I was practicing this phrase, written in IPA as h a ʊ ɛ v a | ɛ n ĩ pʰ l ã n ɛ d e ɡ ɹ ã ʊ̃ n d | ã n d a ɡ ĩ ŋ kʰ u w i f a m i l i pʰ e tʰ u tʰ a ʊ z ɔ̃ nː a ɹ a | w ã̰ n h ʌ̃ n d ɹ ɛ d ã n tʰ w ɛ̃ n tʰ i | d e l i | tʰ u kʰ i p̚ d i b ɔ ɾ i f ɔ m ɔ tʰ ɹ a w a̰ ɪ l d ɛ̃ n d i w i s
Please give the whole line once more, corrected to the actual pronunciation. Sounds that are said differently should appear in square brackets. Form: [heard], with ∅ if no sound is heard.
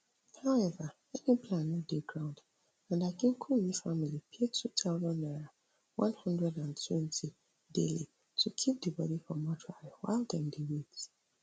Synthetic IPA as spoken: h a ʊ ɛ v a | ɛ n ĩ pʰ l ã n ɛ d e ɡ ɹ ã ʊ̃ n d | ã n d a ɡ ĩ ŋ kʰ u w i f a m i l i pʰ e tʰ u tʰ a ʊ z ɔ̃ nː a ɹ a | w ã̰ n h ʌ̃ n d ɹ ɛ d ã n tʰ w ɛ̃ n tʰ i | d e l i | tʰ u kʰ i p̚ d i b ɔ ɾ i f ɔ m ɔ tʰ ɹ a w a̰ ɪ l d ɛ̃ n d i w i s